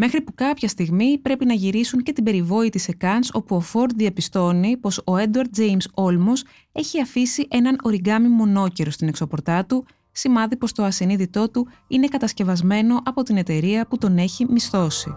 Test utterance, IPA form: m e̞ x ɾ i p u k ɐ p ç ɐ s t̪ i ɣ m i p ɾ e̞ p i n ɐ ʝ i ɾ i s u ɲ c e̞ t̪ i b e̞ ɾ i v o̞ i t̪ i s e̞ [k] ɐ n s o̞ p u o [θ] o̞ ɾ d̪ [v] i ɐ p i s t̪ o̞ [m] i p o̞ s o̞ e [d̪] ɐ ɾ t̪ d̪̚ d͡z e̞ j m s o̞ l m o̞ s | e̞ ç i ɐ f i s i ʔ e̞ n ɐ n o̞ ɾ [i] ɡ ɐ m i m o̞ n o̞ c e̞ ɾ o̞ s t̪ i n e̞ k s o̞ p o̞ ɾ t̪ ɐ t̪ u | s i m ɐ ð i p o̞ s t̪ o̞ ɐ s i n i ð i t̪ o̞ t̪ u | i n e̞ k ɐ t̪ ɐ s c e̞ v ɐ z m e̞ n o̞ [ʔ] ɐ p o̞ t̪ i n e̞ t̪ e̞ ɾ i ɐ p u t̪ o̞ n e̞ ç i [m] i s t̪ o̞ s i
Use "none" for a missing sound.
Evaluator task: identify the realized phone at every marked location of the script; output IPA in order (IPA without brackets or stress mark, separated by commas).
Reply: k, f, ð, n, d̪, i, ʔ, m